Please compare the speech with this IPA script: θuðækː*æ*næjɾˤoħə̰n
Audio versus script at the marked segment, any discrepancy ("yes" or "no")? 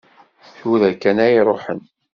no